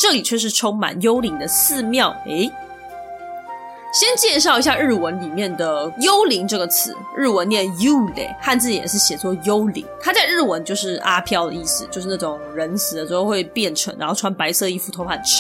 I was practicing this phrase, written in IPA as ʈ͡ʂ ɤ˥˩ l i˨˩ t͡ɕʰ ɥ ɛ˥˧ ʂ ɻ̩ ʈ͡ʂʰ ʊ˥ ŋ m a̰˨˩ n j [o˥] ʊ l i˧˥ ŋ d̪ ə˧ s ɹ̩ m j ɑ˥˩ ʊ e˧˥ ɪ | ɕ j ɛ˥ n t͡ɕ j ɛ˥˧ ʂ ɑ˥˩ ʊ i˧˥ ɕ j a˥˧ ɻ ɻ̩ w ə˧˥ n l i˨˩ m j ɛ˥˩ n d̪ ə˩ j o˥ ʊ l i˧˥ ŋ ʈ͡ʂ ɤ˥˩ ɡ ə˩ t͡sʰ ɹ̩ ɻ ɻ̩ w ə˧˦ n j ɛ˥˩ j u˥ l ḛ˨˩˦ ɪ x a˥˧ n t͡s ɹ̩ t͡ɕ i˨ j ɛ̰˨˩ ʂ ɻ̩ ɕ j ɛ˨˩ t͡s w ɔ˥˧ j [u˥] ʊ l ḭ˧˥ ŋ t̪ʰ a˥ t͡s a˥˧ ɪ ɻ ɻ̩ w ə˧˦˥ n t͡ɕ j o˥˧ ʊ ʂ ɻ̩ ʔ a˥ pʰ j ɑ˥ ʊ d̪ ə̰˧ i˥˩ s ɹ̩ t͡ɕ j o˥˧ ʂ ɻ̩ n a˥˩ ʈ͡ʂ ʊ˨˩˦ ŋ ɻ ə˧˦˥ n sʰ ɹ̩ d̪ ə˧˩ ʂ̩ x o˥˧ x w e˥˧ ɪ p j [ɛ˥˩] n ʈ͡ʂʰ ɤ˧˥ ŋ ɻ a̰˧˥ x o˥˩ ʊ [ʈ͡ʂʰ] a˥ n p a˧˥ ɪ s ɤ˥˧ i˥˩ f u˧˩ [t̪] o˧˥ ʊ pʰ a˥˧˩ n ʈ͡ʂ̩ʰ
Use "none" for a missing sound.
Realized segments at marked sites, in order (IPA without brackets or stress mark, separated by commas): o˥, o˥, ɛ˥˩, ʈ͡ʂʰ, t̪ʰ